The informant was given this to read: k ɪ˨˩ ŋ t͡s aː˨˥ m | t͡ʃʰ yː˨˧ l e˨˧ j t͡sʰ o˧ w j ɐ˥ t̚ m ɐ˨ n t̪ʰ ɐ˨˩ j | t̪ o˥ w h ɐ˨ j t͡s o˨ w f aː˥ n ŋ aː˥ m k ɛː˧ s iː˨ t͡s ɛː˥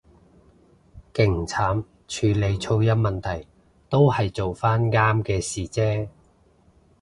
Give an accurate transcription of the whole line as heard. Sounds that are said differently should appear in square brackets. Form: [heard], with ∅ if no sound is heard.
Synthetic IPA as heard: k ɪ˨˩ ŋ [t͡sʰ] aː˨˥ m | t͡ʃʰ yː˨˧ l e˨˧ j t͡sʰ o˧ w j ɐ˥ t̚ m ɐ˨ n t̪ʰ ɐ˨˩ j | t̪ o˥ w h ɐ˨ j t͡s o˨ w f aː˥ n ŋ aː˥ m k ɛː˧ s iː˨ t͡s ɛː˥